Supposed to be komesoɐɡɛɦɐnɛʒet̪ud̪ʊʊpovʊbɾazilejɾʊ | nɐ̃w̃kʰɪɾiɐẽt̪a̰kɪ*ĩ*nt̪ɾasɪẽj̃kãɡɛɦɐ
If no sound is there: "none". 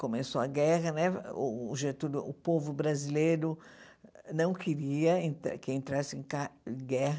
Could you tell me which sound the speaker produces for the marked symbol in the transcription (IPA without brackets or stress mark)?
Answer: ẽ